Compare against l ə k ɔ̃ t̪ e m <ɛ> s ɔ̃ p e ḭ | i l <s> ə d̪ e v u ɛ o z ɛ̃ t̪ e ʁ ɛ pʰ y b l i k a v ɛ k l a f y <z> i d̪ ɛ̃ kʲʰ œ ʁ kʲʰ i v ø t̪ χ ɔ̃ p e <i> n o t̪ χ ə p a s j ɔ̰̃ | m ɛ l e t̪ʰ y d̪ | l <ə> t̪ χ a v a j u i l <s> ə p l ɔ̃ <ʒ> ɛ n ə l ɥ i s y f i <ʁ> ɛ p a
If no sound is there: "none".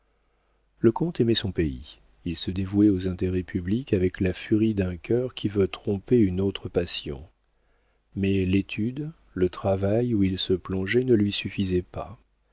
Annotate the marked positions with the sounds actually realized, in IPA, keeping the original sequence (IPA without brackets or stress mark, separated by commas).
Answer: ɛ, s, ʁ, y, ə, s, ʒ, z